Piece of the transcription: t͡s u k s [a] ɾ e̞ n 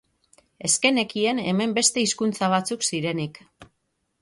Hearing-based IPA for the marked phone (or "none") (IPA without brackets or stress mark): i